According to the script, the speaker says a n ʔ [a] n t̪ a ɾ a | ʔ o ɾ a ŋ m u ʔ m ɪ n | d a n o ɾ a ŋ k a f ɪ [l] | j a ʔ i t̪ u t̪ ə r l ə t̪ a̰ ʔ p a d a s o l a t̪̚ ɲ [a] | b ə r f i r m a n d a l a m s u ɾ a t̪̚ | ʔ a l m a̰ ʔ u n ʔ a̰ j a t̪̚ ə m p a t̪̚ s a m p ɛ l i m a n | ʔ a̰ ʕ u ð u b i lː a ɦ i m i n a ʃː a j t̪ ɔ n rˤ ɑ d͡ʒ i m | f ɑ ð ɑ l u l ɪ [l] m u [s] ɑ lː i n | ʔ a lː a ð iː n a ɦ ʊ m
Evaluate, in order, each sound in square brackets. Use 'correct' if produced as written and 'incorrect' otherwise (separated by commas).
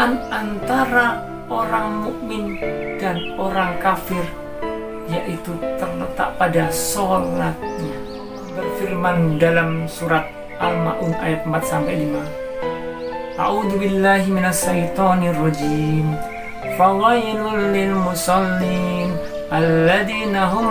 correct, incorrect, correct, correct, correct